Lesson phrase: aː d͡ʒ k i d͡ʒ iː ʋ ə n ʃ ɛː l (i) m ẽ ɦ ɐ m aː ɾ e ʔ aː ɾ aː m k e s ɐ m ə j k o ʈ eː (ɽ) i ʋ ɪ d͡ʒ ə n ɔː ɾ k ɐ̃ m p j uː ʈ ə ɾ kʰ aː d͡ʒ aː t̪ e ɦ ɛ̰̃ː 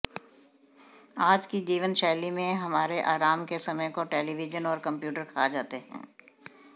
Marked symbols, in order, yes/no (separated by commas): yes, no